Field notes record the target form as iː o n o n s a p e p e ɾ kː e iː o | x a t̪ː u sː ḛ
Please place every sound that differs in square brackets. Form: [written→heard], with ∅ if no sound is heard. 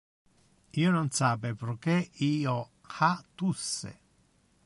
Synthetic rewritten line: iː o n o n s a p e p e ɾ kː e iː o | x a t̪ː u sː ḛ